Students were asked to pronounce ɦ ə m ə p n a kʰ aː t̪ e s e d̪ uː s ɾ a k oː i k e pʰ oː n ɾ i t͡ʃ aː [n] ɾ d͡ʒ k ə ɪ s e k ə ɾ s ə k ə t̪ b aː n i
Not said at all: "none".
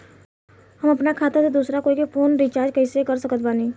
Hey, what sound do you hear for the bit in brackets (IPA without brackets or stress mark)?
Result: none